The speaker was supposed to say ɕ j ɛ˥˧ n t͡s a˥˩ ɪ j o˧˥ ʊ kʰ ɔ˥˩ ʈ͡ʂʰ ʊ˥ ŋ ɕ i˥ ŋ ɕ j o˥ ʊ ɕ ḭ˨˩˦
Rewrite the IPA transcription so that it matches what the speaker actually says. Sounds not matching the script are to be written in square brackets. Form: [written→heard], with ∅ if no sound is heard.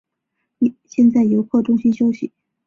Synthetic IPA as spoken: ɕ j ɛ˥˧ n t͡s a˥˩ ɪ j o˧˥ ʊ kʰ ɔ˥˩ [ʈ͡ʂʰ→ʈ͡ʂ] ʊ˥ ŋ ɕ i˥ [ŋ→n] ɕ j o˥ ʊ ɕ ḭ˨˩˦